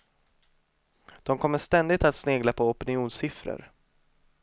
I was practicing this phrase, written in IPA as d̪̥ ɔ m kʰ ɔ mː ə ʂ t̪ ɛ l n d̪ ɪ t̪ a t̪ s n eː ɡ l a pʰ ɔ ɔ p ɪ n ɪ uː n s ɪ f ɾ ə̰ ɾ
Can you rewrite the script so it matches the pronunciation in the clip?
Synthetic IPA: d̪̥ ɔ m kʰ ɔ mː ə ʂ t̪ ɛ n d̪ ɪ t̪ a t̪ s n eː ɡ l a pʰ ɔ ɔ p ɪ n ɪ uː n s ɪ f ɾ ə̰ ɾ